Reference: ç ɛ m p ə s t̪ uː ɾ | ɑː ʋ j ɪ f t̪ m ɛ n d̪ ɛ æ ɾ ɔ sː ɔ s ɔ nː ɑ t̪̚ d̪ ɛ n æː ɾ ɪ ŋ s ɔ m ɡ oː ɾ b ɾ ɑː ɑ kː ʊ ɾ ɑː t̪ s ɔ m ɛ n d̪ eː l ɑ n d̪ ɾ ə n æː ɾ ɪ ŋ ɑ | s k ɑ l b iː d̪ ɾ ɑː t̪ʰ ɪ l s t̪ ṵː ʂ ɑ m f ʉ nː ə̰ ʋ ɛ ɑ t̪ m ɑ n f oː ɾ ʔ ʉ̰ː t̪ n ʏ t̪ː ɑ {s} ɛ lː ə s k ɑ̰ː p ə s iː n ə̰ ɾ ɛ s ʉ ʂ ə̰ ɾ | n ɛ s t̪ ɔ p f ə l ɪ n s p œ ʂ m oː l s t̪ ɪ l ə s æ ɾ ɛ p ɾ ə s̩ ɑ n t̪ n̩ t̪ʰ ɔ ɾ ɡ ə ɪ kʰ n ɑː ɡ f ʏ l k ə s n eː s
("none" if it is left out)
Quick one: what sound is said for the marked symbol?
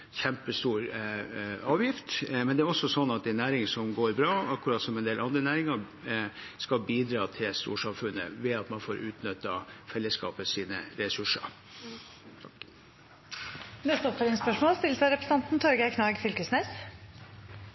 f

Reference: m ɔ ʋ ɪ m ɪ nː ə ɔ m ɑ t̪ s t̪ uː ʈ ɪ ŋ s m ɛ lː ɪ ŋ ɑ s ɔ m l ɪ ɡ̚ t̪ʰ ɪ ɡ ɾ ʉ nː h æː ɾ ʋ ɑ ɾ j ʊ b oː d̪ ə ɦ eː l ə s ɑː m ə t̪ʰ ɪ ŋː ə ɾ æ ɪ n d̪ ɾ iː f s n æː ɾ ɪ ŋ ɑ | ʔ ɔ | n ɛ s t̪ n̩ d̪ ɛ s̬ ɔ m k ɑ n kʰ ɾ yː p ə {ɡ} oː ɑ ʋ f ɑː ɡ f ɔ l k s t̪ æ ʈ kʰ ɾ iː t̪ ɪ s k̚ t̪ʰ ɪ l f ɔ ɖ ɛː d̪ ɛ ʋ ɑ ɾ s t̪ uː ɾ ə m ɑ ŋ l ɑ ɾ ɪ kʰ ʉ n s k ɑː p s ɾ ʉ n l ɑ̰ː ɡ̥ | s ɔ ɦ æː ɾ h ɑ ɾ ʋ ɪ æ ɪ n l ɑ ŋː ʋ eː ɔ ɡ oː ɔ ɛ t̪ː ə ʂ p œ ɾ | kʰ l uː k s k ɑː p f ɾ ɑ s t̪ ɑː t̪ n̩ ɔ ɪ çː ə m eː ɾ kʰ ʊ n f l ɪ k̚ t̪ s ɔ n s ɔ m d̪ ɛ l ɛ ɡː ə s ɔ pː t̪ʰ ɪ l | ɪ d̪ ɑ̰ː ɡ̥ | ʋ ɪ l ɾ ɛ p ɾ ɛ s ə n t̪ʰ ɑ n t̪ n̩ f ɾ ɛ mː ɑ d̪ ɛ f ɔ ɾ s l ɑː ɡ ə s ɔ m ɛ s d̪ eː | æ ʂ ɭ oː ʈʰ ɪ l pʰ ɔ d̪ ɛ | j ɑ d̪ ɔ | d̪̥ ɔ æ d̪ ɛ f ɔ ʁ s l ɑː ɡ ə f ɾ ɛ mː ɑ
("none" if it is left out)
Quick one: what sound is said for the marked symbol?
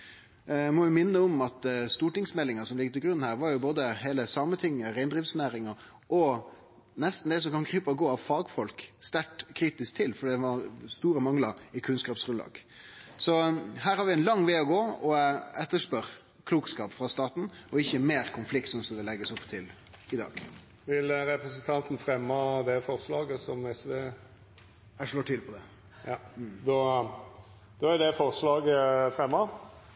ɡ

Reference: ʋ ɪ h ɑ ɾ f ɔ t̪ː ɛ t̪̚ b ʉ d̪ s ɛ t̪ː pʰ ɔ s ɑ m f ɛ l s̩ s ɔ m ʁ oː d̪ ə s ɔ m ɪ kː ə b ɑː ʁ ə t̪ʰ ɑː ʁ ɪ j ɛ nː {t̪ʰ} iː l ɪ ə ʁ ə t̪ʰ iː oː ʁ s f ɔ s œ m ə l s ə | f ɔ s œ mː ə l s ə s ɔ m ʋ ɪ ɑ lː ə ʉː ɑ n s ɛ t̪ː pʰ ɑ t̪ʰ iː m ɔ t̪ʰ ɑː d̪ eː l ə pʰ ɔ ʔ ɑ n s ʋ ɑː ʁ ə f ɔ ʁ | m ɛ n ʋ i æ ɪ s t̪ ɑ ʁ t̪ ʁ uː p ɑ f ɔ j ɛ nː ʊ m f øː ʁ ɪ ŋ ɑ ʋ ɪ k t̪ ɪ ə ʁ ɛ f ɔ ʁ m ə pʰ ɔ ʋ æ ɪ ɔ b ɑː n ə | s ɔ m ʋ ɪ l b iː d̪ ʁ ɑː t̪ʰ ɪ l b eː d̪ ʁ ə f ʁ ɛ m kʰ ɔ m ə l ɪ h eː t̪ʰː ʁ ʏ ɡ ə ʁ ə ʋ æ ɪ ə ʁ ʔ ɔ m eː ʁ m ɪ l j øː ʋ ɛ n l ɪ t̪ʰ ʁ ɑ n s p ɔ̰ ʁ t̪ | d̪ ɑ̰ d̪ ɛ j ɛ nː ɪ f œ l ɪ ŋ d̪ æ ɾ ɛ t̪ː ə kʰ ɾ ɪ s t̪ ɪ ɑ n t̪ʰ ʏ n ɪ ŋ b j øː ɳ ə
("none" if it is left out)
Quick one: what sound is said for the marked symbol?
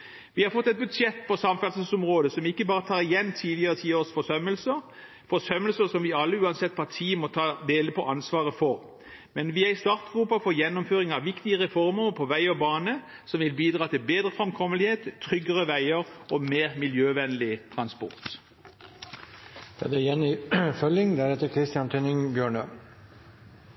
t̪ʰ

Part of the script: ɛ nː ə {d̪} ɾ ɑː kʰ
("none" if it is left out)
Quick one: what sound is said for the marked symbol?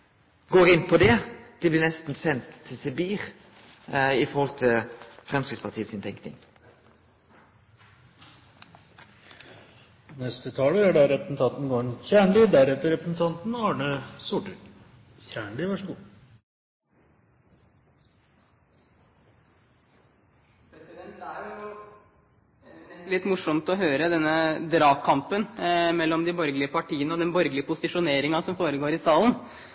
d̪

